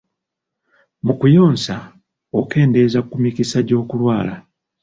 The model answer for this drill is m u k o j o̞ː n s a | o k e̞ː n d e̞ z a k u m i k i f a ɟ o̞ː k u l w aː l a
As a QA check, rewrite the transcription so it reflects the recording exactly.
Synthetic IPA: m u k u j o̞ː n s a | o k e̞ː n d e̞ z a k u m i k i s a ɟ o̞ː k u l w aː l a